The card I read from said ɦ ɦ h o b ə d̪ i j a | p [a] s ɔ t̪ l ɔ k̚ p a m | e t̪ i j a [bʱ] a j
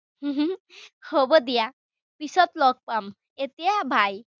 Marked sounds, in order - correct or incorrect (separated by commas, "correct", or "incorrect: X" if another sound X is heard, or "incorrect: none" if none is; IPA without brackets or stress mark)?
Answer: incorrect: i, correct